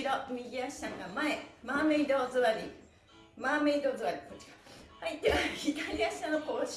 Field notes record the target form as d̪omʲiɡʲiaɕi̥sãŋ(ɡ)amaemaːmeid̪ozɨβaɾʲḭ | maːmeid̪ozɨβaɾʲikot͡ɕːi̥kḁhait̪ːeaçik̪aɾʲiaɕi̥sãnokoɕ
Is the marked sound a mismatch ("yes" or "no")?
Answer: no